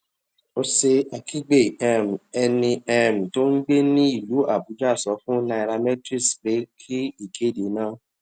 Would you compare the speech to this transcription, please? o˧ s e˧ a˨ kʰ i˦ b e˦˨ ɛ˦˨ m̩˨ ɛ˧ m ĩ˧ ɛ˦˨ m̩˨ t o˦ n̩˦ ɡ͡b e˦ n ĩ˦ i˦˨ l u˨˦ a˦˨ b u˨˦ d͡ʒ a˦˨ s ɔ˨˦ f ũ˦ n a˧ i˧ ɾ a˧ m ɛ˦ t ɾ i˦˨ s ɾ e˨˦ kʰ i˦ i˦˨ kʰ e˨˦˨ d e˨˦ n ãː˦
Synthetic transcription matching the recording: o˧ s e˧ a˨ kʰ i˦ ɡ͡b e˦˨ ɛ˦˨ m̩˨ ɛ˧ n ĩ˧ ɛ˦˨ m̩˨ t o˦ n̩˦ ɡ͡b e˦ n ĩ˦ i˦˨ l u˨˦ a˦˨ b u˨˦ d͡ʒ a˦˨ s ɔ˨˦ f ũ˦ n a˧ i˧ ɾ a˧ m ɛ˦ t ɾ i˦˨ s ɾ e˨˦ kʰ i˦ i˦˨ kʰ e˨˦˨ d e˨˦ n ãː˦